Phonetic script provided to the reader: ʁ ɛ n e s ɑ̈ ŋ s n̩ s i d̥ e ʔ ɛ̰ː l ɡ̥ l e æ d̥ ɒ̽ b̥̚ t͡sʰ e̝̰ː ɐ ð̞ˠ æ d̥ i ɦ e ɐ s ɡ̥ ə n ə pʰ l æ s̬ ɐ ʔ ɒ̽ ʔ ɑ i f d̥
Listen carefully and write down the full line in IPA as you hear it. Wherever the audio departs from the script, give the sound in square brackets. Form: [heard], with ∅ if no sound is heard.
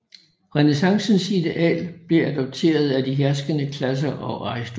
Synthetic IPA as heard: ʁ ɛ n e s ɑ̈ ŋ s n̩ s i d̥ e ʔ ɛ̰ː l [b̥] l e æ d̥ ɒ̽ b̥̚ t͡sʰ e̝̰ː ɐ ð̞ˠ æ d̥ i ɦ [æ] ɐ s ɡ̥ ə n ə [kʰ] l æ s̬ ɐ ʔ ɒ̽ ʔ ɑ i [s] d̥

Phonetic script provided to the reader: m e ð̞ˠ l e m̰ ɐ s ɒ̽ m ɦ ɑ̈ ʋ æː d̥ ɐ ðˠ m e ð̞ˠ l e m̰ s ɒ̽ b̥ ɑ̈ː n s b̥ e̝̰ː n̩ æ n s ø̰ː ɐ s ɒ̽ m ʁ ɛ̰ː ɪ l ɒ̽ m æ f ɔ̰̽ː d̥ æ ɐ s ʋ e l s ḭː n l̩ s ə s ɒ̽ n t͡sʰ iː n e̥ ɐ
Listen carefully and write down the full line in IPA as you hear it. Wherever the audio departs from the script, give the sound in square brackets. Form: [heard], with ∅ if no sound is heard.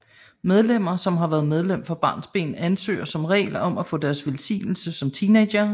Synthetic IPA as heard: m e ð̞ˠ l e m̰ ɐ s ɒ̽ m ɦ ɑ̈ ʋ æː [∅] ɐ ðˠ m e ð̞ˠ l e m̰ [f] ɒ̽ b̥ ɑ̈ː n s b̥ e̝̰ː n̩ æ n s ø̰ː ɐ s ɒ̽ m ʁ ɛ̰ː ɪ l ɒ̽ m æ f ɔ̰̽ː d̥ æ ɐ s ʋ e l s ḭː n l̩ s ə s ɒ̽ [m] t͡sʰ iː n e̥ ɐ

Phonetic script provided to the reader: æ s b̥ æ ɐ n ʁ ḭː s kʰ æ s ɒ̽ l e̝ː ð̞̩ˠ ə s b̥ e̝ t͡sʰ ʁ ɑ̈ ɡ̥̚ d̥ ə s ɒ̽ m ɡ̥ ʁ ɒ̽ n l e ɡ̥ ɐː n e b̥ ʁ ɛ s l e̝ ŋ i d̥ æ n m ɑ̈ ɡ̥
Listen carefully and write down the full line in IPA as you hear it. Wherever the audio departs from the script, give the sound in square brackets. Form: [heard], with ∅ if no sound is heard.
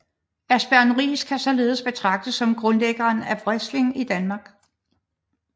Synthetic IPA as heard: æ s b̥ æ ɐ n ʁ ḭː s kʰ æ s ɒ̽ l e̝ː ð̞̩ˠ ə s b̥ e̝ t͡sʰ ʁ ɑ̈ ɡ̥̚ d̥ ə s ɒ̽ m ɡ̥ ʁ [ɔ̽] n l e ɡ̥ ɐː n [æ] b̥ ʁ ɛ s l e̝ ŋ i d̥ æ n m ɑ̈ ɡ̥

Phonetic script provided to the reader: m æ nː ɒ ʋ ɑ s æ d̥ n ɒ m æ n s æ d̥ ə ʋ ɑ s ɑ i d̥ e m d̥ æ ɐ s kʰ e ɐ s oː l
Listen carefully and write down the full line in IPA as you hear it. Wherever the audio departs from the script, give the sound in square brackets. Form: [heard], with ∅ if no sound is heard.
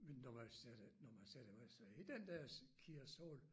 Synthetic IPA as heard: m [e] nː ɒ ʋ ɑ s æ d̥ n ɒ m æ n s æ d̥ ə ʋ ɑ s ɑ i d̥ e [n] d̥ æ ɐ s kʰ [i] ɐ s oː l

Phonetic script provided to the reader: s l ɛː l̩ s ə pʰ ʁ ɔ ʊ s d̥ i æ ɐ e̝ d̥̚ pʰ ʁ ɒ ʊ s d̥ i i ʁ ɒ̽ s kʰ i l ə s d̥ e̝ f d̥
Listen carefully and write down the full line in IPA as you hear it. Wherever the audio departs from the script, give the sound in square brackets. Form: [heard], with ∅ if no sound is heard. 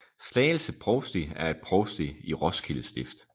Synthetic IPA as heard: s l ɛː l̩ s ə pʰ ʁ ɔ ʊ s d̥ i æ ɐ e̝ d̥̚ pʰ ʁ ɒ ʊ s d̥ i i ʁ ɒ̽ s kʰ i l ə s d̥ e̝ f d̥

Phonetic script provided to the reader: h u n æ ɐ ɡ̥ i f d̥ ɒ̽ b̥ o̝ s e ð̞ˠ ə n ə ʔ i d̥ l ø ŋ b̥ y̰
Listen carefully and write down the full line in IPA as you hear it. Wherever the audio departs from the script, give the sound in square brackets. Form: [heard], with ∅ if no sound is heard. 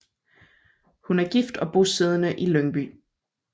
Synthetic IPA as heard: h u n æ ɐ ɡ̥ i f d̥ ɒ̽ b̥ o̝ s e ð̞ˠ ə n ə ʔ i [∅] l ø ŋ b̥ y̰

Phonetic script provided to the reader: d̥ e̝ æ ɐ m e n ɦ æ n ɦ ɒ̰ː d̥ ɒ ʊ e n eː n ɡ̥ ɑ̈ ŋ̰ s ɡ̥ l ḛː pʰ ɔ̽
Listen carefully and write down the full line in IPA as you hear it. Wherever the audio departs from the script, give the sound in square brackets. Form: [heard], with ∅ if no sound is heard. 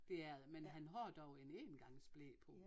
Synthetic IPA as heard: d̥ e̝ æ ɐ m e n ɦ æ n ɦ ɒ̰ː d̥ ɒ ʊ e n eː n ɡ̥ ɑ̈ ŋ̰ s [b̥] l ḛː pʰ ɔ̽

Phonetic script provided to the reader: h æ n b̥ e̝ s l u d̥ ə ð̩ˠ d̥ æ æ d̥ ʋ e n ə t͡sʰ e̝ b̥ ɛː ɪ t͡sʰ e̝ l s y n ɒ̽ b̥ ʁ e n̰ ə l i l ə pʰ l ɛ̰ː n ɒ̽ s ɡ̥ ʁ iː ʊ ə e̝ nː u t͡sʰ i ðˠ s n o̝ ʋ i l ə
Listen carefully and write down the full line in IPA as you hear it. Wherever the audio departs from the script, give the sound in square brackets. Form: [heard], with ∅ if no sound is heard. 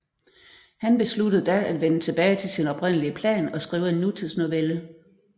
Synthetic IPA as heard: h æ n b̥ e̝ s l u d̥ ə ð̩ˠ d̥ æ æ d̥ ʋ e n ə t͡sʰ e̝ b̥ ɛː ɪ t͡sʰ e̝ l s [i] n ɒ̽ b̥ ʁ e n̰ ə l i [∅] ə pʰ l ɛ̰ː n ɒ̽ s ɡ̥ ʁ iː ʊ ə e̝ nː u t͡sʰ i ðˠ s n o̝ ʋ [e] l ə

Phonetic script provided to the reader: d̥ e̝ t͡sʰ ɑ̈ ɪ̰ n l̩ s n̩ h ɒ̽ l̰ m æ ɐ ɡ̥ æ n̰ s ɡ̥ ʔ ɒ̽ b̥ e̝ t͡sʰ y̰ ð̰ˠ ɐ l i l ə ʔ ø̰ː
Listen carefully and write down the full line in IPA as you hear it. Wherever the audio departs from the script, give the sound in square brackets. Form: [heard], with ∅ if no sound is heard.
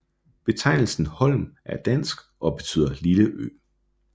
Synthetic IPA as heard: [b̥] e̝ t͡sʰ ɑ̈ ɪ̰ n l̩ s n̩ h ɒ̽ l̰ m æ ɐ [d̥] æ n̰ s ɡ̥ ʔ ɒ̽ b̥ e̝ t͡sʰ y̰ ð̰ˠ ɐ l i l ə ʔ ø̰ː

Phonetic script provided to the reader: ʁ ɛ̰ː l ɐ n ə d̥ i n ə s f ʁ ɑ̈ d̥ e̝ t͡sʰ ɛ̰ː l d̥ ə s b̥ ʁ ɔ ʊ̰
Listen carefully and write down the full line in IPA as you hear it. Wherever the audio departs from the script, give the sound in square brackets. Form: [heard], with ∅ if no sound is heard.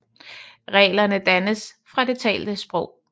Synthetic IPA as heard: ʁ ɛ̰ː l ɐ n ə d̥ [æ] n ə s f ʁ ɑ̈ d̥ e̝ t͡sʰ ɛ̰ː l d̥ ə s b̥ ʁ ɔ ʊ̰

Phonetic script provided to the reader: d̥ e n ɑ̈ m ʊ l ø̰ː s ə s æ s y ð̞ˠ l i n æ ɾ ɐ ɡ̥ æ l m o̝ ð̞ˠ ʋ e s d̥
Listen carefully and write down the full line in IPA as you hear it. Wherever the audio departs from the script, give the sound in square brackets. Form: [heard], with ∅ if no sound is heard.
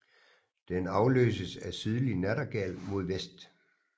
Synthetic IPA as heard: d̥ e n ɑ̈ [∅] ʊ l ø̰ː s ə s æ s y ð̞ˠ l i n æ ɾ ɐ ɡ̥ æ l m o̝ ð̞ˠ ʋ e s d̥

